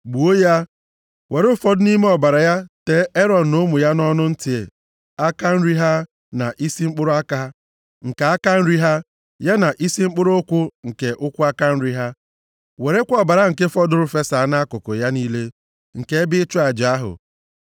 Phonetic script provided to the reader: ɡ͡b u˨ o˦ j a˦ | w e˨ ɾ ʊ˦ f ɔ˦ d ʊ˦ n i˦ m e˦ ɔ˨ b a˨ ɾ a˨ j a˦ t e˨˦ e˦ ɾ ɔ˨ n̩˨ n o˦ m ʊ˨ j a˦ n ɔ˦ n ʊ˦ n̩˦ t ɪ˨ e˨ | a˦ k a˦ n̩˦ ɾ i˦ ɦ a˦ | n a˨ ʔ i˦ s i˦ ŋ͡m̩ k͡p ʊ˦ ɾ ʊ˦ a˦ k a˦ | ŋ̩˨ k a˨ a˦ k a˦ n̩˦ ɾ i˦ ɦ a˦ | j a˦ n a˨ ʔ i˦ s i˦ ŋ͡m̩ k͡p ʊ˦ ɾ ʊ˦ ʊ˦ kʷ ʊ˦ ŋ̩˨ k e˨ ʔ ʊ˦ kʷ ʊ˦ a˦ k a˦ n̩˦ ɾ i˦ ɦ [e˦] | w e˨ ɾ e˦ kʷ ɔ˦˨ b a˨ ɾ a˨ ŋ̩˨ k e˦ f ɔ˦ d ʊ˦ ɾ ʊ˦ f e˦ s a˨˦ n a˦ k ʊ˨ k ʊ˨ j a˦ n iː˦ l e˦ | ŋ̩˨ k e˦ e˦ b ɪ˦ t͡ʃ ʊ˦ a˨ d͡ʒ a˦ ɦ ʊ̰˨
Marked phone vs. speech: incorrect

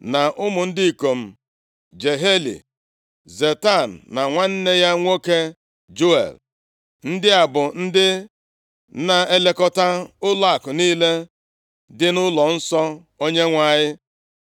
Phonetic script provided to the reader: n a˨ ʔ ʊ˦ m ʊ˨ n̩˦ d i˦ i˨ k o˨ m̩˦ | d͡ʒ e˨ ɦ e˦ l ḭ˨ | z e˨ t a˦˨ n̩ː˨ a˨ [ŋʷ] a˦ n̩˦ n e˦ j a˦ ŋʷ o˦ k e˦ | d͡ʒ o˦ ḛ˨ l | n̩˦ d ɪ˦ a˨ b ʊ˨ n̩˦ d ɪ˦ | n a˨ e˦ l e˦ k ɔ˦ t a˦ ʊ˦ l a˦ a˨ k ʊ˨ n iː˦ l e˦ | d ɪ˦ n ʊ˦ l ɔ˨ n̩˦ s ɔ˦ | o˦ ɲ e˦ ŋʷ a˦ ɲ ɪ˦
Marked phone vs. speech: correct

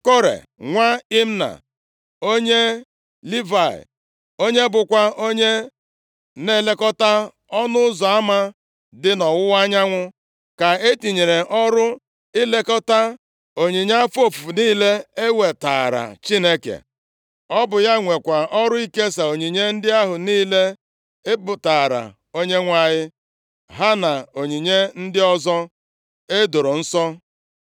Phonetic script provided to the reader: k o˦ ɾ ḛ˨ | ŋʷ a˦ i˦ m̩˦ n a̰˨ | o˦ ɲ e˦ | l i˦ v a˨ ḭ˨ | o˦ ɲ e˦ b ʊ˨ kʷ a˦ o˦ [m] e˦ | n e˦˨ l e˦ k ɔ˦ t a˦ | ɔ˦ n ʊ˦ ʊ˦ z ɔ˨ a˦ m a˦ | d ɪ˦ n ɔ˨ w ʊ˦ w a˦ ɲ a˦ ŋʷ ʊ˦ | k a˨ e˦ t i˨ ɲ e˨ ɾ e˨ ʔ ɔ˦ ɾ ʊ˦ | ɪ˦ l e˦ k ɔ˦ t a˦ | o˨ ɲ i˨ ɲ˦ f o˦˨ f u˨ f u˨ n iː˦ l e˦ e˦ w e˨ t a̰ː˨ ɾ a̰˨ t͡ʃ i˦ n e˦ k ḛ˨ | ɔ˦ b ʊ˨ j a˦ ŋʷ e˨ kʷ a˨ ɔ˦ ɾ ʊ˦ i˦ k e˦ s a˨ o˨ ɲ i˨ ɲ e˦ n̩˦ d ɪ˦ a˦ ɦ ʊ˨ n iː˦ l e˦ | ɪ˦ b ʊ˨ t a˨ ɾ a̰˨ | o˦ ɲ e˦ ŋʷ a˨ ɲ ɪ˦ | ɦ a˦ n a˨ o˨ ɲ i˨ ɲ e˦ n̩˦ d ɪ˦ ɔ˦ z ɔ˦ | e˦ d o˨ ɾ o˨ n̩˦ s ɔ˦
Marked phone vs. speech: incorrect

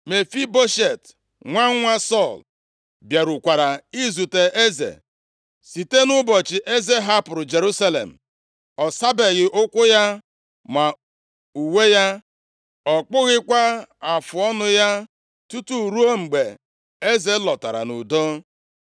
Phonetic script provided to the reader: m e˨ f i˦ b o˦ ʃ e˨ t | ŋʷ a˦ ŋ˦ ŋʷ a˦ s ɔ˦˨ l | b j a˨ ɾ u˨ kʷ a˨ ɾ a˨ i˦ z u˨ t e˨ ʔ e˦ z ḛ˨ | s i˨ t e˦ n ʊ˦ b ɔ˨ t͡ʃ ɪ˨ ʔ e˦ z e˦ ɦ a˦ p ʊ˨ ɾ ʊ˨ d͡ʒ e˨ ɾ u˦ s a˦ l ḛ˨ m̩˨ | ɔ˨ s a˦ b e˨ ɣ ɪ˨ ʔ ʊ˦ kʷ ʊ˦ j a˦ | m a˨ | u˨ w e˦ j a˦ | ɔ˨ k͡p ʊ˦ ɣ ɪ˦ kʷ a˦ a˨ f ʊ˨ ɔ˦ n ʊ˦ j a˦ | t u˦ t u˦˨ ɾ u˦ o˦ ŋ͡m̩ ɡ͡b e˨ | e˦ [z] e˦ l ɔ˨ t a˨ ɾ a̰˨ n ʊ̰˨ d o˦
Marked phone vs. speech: correct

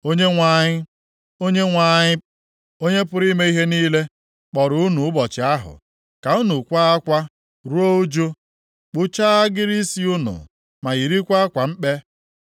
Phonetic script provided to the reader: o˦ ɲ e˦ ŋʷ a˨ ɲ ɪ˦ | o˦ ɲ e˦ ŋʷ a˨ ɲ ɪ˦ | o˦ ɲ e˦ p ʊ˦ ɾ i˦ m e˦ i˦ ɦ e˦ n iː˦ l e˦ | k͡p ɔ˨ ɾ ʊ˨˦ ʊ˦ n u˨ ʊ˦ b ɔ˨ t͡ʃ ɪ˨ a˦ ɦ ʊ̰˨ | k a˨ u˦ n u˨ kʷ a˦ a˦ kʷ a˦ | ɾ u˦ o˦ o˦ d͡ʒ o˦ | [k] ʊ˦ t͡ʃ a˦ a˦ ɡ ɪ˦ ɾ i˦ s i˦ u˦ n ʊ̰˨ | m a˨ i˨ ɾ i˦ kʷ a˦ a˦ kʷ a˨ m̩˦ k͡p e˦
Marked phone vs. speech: incorrect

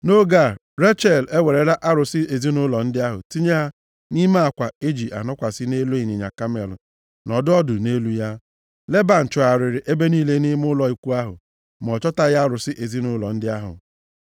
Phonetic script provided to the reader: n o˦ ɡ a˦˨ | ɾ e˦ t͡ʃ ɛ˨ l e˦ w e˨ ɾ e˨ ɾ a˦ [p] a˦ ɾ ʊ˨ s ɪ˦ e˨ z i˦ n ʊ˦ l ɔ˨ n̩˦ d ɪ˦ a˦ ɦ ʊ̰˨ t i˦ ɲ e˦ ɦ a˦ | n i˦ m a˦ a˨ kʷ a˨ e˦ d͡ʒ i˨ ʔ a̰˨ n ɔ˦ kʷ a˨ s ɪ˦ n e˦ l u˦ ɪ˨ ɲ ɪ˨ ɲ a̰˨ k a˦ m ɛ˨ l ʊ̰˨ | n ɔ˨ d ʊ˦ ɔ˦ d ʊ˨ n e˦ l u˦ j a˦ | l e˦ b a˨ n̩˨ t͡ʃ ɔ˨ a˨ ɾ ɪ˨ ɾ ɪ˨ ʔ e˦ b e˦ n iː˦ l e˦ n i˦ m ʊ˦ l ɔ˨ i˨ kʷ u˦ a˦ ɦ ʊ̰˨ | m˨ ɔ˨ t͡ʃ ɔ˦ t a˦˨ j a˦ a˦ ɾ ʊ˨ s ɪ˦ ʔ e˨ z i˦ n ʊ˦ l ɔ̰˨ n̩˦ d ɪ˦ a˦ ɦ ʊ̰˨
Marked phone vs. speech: incorrect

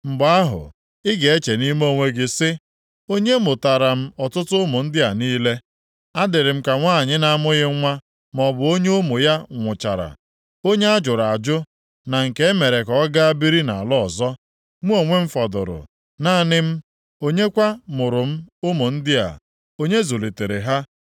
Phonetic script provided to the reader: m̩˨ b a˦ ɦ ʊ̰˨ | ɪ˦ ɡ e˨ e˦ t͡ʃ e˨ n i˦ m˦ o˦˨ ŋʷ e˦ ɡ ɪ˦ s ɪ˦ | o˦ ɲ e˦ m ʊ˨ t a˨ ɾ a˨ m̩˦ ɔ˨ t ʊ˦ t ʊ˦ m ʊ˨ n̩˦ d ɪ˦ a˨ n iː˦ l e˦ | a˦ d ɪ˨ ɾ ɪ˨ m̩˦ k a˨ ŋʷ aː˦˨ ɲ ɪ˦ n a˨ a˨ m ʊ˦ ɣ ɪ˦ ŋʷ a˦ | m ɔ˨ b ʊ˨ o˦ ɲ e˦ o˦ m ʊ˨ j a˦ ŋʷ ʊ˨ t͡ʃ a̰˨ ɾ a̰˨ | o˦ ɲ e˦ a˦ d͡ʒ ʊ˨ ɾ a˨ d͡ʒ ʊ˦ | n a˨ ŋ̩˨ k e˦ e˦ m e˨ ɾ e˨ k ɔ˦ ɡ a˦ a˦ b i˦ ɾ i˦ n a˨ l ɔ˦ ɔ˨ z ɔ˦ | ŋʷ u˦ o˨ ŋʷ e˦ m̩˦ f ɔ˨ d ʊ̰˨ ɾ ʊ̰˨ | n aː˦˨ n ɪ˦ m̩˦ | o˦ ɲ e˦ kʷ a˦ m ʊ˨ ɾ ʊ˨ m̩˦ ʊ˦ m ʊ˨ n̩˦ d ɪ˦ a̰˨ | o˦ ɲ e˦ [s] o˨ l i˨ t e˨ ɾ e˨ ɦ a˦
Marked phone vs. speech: incorrect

